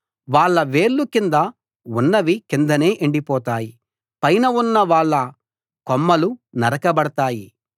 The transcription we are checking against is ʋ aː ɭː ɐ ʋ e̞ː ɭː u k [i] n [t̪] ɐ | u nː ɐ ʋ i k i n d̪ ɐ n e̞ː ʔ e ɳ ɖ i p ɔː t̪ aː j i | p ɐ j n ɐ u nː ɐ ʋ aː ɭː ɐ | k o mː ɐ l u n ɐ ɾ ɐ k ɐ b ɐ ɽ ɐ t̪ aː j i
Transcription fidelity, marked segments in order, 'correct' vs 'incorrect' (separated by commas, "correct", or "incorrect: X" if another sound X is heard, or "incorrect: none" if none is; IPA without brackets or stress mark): correct, incorrect: d̪